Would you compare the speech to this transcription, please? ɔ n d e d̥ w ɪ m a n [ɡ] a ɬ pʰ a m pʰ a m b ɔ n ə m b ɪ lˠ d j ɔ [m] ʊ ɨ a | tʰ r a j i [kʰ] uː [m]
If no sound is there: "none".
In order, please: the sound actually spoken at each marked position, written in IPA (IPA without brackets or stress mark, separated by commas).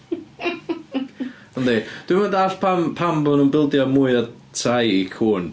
d, m, kʰ, n